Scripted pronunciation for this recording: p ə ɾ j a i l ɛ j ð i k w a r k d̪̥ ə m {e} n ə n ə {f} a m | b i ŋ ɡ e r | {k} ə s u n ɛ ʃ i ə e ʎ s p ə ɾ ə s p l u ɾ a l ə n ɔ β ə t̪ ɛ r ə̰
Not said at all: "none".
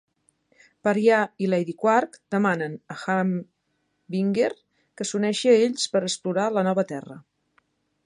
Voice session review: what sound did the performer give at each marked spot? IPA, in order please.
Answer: a, x, k

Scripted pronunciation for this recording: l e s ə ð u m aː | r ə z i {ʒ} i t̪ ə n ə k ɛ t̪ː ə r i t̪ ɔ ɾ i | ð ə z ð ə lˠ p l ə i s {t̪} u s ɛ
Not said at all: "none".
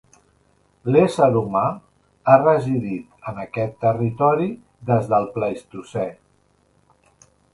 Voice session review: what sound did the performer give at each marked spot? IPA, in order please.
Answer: ð, t̪

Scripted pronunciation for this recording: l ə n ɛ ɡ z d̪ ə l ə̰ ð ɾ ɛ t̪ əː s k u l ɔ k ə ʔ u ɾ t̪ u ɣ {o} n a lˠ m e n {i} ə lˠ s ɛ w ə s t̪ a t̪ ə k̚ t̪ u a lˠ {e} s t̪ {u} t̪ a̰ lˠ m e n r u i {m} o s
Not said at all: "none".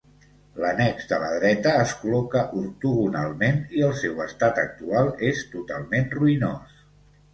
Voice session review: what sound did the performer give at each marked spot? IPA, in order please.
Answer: u, i, e, u, n

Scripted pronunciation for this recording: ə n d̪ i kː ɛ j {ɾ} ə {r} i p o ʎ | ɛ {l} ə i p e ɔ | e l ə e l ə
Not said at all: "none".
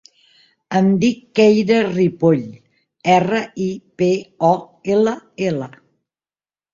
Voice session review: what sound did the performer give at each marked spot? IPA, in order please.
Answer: ɾ, r, r

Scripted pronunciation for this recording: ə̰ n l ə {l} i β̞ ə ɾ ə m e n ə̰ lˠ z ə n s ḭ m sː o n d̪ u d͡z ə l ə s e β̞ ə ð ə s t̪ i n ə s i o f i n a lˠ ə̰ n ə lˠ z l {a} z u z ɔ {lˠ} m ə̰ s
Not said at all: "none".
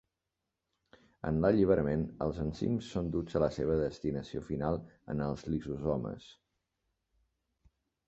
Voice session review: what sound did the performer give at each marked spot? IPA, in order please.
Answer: ʎ, i, none

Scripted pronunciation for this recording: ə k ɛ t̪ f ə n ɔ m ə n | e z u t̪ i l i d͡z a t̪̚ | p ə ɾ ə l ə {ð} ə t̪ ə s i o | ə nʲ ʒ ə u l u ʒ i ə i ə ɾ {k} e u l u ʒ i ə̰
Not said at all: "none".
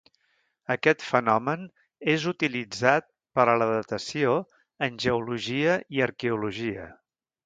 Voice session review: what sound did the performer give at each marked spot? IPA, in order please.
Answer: ð, k

